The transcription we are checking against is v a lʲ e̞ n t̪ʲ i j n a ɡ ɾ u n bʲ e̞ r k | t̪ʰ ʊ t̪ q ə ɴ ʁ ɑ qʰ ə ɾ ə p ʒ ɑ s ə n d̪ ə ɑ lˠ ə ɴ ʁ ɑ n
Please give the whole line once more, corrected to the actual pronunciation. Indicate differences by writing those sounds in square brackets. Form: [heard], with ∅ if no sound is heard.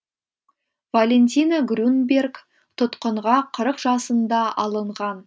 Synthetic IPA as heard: v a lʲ e̞ n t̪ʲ i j n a ɡ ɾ u n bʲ e̞ r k | t̪ʰ ʊ t̪ q ə ɴ ʁ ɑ qʰ ə ɾ ə [q] ʒ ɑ s ə n d̪ [ɑ] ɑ lˠ ə ɴ ʁ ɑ n